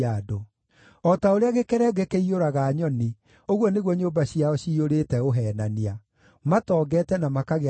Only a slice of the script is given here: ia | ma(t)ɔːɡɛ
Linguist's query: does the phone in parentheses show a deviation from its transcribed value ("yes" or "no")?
no